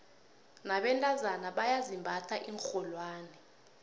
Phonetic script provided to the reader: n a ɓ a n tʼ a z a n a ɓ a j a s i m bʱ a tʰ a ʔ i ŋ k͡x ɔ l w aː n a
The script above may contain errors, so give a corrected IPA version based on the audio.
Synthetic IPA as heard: n a ɓ ɛ n tʼ a z a n a ɓ a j a z i m bʱ a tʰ a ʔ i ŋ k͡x ɔ l w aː n ɛ

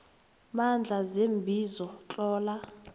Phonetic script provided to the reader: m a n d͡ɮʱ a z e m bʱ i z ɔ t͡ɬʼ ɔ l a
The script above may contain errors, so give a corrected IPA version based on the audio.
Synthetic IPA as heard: m a n d͡ɮʱ a z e m bʱ i z ɔ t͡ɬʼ ɔː l a

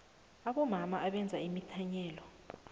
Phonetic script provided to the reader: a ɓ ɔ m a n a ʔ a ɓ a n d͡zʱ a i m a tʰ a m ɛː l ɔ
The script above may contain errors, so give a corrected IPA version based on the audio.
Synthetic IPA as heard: a ɓ ɔ m a m a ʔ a ɓ ɛ n d͡zʱ a i m i tʰ a ɲ ɛː l ɔ

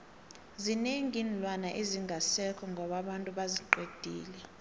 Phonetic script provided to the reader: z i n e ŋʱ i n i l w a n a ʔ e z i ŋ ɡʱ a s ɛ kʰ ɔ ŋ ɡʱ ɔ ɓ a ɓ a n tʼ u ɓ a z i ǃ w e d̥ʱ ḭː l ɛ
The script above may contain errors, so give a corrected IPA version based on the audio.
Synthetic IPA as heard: z i n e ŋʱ i n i l w a n a ʔ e z i ŋ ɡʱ a s ɛ kʰ ɔ ŋ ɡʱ ɔ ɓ a ɓ a n tʼ u ɓ a z i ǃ w e d̥ʱ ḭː l ɛ

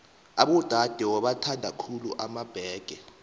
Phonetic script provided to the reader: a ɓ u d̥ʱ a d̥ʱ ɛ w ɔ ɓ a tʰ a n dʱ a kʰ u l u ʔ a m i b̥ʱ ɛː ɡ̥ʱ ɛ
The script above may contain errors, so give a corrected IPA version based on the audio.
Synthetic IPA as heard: a ɓ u d̥ʱ a d̥ʱ ɛ w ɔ ɓ a tʰ a n dʱ a kʰ u l u ʔ a m a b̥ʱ ɛː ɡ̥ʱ ɛ

